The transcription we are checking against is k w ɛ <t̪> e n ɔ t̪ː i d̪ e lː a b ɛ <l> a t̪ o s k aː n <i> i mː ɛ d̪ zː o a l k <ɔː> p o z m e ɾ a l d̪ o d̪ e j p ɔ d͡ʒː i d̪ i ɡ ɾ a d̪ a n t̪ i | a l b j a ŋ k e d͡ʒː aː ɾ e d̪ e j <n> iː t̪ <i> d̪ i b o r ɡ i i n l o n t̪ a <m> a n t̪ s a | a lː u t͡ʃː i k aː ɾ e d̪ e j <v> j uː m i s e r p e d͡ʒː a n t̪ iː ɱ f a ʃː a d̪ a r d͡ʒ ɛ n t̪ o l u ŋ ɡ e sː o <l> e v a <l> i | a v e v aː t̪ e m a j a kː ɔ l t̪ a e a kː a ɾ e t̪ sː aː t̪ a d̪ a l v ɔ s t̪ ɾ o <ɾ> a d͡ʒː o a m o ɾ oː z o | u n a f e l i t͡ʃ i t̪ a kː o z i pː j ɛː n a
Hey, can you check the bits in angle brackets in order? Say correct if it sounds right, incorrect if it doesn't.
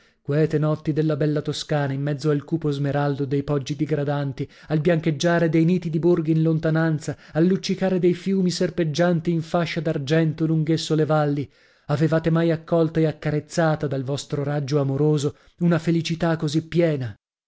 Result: correct, incorrect: lː, incorrect: a, incorrect: uː, correct, correct, incorrect: n, incorrect: f, correct, incorrect: lː, correct

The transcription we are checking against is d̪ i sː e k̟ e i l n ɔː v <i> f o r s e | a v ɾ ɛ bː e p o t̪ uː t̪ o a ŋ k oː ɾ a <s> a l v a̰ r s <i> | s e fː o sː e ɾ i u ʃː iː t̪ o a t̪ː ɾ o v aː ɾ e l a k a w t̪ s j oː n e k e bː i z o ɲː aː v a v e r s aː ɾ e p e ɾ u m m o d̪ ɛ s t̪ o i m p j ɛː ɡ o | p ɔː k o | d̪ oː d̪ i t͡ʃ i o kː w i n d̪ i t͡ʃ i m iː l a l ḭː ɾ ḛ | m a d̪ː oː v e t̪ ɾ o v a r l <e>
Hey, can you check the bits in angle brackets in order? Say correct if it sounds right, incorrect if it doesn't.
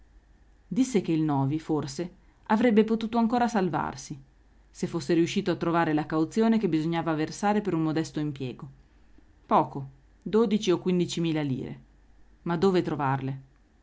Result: correct, correct, correct, correct

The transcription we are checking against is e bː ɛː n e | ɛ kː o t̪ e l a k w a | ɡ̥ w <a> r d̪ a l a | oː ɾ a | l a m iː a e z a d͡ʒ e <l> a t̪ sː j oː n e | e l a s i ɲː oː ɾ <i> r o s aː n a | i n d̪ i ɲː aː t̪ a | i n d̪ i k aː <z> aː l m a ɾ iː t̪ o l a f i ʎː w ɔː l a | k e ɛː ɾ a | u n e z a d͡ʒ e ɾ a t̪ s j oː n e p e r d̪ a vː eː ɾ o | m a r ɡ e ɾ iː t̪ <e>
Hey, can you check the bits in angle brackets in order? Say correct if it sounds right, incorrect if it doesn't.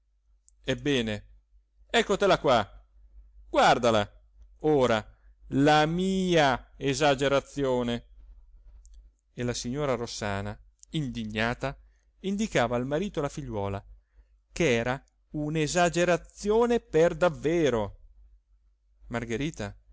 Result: correct, incorrect: ɾ, incorrect: a, incorrect: v, incorrect: a

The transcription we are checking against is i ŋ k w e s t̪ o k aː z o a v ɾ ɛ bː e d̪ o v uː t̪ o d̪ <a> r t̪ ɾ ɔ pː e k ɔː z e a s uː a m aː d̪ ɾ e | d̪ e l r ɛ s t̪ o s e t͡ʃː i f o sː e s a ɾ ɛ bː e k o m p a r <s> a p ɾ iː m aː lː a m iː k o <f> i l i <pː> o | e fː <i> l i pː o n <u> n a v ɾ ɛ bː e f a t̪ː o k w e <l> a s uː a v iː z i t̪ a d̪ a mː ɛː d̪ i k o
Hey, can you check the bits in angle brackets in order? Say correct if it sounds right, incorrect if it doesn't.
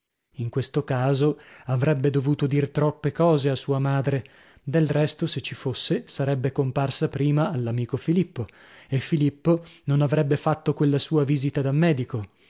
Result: incorrect: i, correct, correct, correct, correct, incorrect: o, incorrect: lː

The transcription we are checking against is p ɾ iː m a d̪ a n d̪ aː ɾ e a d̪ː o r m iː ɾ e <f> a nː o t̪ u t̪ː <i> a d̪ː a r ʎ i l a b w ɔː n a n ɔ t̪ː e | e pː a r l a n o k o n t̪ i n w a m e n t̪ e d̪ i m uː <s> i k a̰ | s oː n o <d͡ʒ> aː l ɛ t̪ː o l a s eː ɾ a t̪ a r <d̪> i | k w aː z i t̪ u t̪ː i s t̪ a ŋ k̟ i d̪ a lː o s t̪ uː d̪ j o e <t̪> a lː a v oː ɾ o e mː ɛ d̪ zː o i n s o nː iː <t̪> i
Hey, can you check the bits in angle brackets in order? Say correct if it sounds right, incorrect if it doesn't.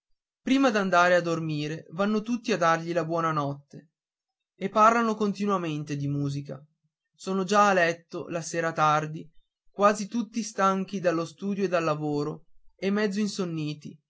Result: incorrect: v, correct, incorrect: z, correct, correct, incorrect: d̪, correct

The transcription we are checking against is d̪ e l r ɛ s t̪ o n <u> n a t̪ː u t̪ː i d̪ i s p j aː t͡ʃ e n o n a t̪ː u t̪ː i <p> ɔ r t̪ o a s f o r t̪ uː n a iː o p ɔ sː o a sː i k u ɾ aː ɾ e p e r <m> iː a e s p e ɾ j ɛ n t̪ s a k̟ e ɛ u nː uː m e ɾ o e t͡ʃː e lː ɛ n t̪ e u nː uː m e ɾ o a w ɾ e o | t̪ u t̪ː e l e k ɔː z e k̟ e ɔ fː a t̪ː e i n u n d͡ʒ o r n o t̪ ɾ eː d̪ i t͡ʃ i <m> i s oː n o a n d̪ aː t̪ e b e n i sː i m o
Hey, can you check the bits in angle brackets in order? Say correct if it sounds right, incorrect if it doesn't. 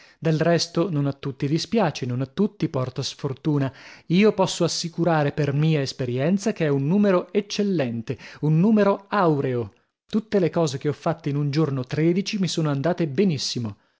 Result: incorrect: o, correct, correct, correct

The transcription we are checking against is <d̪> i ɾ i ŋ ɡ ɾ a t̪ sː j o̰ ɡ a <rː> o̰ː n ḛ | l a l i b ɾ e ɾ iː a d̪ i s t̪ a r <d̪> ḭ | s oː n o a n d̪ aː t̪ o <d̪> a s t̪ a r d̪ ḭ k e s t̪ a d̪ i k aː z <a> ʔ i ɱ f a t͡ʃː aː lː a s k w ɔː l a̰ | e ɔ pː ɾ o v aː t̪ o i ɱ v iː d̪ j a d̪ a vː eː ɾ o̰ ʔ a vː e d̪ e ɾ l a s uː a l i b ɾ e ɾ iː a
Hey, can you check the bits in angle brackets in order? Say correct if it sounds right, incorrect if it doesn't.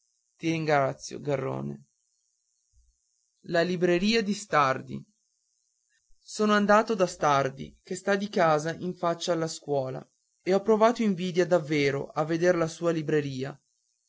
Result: incorrect: t̪, correct, correct, correct, correct

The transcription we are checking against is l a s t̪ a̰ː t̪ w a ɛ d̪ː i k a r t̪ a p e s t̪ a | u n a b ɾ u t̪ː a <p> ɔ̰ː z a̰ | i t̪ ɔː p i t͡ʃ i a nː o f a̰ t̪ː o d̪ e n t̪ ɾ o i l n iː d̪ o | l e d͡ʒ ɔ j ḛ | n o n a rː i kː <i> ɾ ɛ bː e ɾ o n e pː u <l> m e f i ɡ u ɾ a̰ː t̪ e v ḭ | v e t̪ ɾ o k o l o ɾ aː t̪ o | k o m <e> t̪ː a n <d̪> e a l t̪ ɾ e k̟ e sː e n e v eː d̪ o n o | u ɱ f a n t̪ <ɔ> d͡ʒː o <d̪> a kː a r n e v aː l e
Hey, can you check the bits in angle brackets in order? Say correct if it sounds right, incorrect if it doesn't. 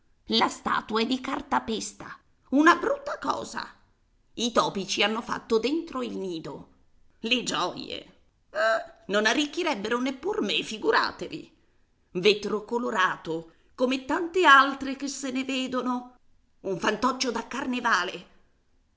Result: incorrect: k, correct, incorrect: r, correct, incorrect: t̪, correct, correct

